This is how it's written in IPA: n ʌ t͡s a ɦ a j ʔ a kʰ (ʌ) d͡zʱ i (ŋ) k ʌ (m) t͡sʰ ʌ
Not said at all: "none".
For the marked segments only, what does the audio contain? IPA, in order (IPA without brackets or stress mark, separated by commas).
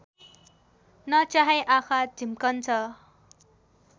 a, m, n